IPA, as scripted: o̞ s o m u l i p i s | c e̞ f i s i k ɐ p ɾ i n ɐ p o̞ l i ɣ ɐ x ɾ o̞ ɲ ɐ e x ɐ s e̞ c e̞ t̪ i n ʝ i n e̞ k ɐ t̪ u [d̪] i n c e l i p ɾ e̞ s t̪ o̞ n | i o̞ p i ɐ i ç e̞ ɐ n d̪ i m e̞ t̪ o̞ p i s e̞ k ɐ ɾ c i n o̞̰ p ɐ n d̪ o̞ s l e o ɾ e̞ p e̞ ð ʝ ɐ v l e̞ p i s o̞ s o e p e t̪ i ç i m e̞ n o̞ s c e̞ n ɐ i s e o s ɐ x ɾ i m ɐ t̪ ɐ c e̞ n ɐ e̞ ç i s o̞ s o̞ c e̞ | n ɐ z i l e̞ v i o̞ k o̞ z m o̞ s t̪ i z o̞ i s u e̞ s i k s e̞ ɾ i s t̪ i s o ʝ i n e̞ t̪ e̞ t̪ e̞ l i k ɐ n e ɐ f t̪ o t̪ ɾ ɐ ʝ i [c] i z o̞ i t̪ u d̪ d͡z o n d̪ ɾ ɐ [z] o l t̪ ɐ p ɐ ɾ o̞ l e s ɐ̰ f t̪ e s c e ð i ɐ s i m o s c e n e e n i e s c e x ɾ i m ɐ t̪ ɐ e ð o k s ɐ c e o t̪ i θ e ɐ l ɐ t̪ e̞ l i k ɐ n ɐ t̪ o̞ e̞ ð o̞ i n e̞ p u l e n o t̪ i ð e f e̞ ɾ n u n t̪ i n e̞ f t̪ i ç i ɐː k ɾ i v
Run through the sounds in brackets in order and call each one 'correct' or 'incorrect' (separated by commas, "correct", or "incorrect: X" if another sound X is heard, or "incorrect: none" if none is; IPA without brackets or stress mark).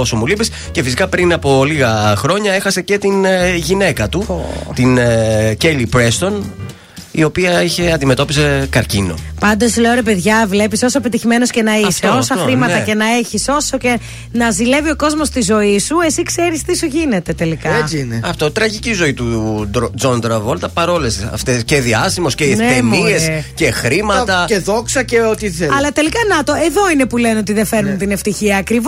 incorrect: t̪, correct, incorrect: v